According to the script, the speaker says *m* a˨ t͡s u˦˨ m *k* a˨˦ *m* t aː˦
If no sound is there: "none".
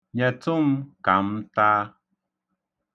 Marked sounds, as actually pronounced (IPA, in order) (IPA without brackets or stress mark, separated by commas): ɲ, k, m